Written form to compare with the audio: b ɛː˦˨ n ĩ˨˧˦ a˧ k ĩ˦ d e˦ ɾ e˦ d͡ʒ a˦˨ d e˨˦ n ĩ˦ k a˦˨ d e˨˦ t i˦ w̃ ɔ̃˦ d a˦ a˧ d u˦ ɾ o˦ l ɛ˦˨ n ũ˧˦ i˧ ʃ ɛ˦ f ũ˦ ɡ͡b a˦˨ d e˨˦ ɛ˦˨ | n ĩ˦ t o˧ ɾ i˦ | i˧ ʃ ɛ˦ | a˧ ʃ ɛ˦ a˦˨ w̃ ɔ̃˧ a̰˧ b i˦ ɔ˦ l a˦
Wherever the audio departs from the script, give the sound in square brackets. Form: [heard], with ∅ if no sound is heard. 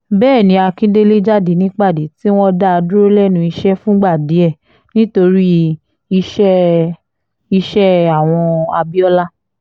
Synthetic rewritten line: b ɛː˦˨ n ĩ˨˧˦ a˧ k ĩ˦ d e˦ [l] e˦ d͡ʒ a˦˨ d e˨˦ n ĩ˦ [k͡p] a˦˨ d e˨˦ t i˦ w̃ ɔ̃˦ d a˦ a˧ d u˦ ɾ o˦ l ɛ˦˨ n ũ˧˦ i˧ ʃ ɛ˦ f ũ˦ ɡ͡b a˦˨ d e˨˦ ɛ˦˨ | n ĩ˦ t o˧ ɾ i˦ | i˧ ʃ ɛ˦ | [i˧] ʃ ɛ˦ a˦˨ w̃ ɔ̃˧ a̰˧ b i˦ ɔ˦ l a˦